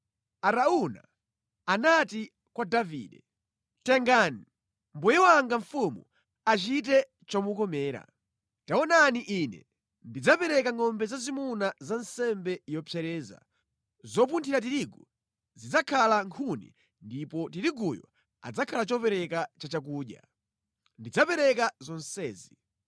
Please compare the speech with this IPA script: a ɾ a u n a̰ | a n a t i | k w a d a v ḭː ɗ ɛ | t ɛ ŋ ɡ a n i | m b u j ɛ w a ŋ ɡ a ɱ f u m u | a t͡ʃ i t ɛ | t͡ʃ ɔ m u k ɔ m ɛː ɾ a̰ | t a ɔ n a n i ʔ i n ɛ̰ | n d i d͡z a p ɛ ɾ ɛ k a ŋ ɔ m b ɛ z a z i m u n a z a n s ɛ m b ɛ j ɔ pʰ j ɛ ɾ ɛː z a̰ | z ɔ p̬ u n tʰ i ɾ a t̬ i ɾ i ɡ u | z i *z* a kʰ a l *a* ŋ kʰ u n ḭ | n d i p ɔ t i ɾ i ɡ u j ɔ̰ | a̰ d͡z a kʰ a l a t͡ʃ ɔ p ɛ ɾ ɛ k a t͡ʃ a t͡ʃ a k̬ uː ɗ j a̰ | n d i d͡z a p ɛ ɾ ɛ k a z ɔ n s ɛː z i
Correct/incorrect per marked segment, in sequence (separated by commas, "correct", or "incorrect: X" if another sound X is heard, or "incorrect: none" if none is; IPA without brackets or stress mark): incorrect: d͡z, correct